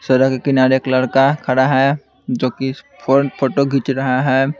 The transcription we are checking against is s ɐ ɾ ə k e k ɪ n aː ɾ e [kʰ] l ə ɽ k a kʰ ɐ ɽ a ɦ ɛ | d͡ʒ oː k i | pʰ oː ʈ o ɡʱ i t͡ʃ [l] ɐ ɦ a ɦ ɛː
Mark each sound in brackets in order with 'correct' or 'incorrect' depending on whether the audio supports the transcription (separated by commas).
incorrect, incorrect